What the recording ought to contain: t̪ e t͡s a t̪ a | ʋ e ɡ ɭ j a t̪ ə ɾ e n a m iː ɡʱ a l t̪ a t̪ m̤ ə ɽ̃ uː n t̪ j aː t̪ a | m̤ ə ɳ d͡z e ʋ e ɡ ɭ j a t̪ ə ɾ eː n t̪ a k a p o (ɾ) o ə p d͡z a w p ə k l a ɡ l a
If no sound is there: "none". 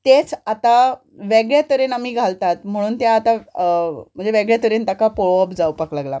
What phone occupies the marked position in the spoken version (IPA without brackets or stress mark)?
ɭ